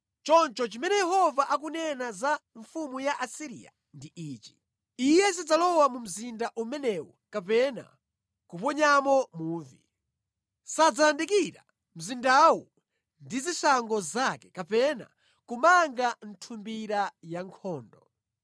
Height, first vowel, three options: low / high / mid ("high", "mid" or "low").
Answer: mid